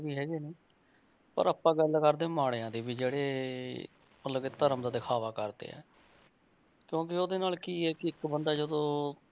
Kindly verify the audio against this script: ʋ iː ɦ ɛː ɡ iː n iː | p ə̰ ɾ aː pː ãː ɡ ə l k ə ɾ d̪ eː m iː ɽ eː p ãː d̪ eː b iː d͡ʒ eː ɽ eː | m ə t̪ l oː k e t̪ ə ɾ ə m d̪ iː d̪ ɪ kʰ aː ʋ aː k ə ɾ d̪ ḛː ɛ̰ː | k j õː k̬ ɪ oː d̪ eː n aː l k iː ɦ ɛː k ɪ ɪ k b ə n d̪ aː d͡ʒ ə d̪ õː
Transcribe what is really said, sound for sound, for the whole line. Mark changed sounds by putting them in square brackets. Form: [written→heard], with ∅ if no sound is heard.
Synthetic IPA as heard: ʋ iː ɦ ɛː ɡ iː n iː | p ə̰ ɾ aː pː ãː ɡ ə l k ə ɾ d̪ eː m [iː→aː] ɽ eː [p→∅] ãː d̪ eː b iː d͡ʒ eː ɽ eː | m ə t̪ l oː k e t̪ ə ɾ ə m d̪ [iː→aː] d̪ ɪ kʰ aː ʋ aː k ə ɾ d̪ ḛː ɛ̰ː | k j õː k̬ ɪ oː d̪ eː n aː l k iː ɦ ɛː k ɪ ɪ k b ə n d̪ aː d͡ʒ ə d̪ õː